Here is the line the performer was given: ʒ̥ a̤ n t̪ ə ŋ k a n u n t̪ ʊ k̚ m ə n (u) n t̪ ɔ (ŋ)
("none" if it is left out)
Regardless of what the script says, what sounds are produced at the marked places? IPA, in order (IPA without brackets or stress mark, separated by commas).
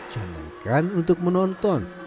ɔ, n